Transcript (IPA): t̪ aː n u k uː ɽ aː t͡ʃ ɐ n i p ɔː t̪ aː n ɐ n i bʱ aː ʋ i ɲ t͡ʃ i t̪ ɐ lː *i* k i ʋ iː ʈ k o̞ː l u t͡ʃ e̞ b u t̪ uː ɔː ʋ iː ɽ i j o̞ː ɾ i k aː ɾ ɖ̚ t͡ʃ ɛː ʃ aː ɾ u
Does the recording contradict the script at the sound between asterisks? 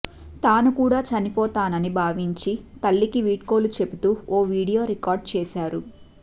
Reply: no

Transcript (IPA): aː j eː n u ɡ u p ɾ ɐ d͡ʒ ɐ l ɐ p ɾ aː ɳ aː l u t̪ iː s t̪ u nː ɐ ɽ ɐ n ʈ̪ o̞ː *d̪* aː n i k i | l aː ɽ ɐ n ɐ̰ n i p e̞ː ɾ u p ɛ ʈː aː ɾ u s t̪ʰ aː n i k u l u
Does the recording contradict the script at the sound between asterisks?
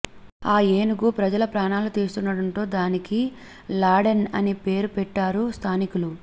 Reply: no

